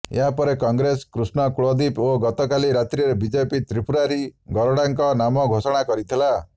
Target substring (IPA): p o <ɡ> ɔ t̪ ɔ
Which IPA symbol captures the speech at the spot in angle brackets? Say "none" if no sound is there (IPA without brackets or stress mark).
ɡ